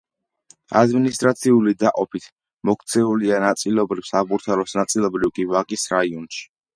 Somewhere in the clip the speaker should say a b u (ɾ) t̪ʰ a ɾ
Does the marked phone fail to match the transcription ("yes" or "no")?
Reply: no